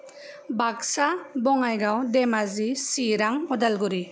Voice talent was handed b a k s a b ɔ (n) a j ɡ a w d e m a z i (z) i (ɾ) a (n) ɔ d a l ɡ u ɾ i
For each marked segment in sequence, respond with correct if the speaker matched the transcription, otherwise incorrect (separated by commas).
incorrect, incorrect, correct, incorrect